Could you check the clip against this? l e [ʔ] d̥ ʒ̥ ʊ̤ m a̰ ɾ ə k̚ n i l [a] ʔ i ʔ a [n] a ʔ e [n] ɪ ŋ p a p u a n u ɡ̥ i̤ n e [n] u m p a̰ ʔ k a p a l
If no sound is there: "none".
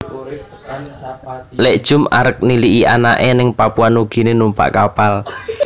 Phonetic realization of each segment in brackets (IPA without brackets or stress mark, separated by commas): ʔ, i, n, n, n